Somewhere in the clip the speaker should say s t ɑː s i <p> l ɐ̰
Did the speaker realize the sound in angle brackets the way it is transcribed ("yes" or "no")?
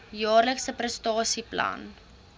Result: yes